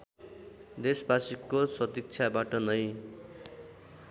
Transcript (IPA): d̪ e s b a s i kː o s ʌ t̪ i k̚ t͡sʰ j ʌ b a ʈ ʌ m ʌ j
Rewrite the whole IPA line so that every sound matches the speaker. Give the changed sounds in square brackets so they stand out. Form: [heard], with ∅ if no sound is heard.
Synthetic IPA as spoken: d̪ e s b a s i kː o s ʌ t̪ i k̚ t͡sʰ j [a] b a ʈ ʌ [n] ʌ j

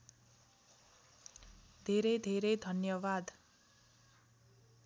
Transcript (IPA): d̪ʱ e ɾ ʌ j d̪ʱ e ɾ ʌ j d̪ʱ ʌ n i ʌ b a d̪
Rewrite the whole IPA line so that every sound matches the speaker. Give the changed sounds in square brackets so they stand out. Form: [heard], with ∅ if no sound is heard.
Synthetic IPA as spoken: d̪ʱ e ɾ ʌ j d̪ʱ e ɾ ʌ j d̪ʱ ʌ n [j] ʌ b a d̪

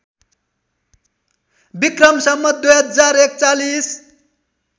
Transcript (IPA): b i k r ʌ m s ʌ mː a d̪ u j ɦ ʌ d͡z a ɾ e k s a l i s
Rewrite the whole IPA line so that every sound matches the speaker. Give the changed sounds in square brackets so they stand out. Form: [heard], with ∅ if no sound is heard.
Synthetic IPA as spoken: b i k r ʌ m s ʌ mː [ʌ] d̪ u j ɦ ʌ d͡z a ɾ e k [t͡s] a l i s

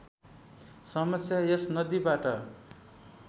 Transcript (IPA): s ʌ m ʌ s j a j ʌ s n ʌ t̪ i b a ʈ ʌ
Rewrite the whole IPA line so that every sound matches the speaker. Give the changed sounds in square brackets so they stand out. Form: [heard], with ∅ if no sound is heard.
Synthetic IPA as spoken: s ʌ m ʌ s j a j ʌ s n ʌ [d̪] i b a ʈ ʌ

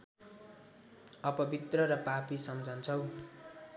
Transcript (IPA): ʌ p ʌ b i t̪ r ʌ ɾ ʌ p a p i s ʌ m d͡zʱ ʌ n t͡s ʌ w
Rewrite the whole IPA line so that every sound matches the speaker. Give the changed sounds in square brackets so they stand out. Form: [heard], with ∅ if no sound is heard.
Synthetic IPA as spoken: ʌ p ʌ b i t̪ r ʌ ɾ ʌ p a p i s ʌ m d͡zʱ ʌ n [t͡sʰ] ʌ w

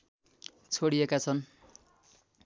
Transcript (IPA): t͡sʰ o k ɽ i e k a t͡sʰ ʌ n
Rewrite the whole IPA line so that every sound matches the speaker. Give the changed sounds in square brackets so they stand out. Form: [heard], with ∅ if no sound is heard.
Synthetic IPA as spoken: t͡sʰ o [∅] ɽ i e k a t͡sʰ ʌ n

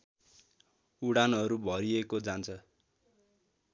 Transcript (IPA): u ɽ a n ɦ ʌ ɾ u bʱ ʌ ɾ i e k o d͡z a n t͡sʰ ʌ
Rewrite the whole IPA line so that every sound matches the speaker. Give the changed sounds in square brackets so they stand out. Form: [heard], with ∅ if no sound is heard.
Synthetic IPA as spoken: u ɽ a n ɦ ʌ ɾ u bʱ ʌ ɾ i e k o d͡z a n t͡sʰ ʌ

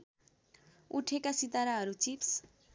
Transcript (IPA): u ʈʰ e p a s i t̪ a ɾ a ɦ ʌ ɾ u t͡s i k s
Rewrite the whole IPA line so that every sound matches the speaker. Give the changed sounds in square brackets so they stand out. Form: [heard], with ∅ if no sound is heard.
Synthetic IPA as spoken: u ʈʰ e [k] a s i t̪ a ɾ a ɦ ʌ ɾ u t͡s i [p] s

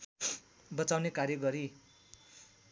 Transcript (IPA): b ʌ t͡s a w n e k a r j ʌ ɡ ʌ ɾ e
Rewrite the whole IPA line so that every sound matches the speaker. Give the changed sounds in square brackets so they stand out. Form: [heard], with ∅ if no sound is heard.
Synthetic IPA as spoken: b ʌ t͡s a w n e k a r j ʌ ɡ ʌ ɾ [i]

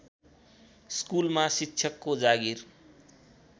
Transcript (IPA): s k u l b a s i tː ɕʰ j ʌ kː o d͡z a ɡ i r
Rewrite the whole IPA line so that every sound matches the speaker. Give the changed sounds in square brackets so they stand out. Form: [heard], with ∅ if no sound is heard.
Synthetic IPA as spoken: s k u l [m] a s i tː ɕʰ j ʌ kː o d͡z a ɡ i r

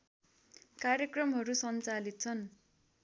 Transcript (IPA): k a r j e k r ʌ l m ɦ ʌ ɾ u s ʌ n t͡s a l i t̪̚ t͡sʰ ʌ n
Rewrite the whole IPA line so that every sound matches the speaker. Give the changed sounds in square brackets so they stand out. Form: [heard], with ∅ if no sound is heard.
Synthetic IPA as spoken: k a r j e k r ʌ [∅] m ɦ ʌ ɾ u s ʌ n t͡s a l i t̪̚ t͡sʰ ʌ n

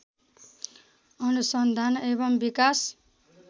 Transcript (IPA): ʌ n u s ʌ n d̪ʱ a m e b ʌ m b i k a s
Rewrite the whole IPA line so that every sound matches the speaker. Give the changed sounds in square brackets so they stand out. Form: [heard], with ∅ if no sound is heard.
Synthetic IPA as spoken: ʌ n u s ʌ n d̪ʱ a [n] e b ʌ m b i k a s

